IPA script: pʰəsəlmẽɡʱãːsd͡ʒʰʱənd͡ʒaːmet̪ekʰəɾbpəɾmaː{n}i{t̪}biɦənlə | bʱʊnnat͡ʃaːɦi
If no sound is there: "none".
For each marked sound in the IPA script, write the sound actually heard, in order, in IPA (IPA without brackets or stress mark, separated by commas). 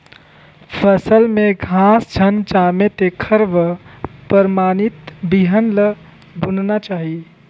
n, t̪